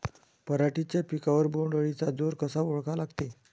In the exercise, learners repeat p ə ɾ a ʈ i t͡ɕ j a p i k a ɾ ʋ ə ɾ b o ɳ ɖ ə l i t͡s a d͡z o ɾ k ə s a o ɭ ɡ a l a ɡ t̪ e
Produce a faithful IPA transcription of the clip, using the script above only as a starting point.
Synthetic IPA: p ə ɾ a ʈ i t͡ɕ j a p i k a ʋ ə ɾ b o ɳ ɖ ə ɭ i t͡s a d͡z o ɾ k ə s a o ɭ k a l a ɡ t̪ e